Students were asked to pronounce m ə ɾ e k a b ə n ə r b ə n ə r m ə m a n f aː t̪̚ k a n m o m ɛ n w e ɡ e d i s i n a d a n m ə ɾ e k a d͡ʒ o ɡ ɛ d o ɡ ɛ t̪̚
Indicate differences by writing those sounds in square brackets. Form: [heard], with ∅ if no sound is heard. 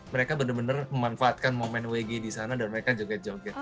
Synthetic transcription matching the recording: m ə ɾ e k a b ə n ə r b ə n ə r m ə m a n f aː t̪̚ k a n m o m ɛ n w e ɡ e d i s [a] n a d a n m ə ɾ e k a d͡ʒ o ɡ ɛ [d͡ʒ] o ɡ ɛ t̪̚